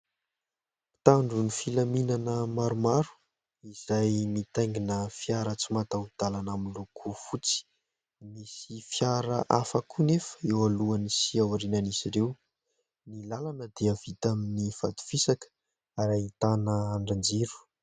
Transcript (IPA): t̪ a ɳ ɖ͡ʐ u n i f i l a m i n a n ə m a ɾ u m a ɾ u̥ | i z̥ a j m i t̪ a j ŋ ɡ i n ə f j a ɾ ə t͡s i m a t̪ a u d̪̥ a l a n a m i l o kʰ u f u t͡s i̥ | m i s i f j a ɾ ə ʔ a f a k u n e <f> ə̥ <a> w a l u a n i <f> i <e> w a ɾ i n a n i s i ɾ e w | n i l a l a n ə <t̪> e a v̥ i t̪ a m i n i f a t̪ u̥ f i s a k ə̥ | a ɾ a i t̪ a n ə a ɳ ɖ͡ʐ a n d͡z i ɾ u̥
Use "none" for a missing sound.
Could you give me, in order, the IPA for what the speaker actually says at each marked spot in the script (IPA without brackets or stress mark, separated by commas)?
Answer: f, e, s, a, d̪